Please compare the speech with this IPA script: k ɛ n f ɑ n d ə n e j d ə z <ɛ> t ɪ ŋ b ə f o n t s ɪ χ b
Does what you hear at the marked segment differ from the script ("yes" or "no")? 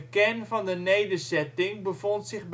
no